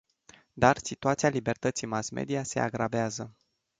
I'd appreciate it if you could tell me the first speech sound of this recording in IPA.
d̪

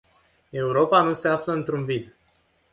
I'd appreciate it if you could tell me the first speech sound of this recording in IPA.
e̞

